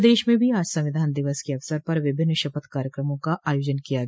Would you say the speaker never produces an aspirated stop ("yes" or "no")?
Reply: yes